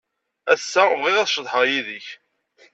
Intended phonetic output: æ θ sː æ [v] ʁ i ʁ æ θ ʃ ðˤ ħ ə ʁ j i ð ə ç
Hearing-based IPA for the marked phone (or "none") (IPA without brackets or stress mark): v